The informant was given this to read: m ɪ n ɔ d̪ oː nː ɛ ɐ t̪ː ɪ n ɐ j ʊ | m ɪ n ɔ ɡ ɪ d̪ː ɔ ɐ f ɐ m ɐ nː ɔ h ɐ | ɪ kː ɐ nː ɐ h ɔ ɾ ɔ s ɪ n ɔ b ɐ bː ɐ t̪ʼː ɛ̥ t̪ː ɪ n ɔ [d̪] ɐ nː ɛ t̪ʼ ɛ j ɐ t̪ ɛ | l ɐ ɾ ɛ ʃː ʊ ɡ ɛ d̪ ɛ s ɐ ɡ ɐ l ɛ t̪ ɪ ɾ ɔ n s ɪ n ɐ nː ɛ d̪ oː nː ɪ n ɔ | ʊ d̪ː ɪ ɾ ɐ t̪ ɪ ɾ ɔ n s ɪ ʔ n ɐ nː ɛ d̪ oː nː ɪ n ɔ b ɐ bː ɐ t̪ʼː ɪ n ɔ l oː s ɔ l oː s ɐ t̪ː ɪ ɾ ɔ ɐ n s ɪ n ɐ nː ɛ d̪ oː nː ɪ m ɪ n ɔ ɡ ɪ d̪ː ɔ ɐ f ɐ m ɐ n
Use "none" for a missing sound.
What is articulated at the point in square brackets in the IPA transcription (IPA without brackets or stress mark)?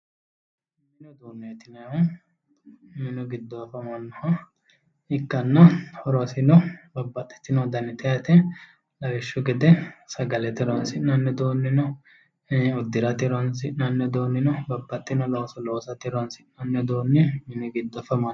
d̪